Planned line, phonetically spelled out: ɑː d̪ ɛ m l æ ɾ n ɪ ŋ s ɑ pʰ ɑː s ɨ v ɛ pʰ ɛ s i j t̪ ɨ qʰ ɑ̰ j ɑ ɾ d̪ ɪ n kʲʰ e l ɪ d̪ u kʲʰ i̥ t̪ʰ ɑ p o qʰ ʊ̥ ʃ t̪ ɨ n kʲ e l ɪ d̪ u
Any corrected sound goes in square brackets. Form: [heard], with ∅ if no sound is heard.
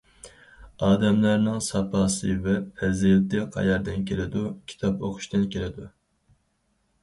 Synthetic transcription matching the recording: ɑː d̪ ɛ m l æ ɾ n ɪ ŋ s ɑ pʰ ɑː s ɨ v ɛ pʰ ɛ [z] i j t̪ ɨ qʰ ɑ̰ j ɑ ɾ d̪ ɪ n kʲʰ e l ɪ d̪ u kʲʰ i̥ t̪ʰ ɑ p o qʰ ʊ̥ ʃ t̪ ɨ n kʲ e l ɪ d̪ u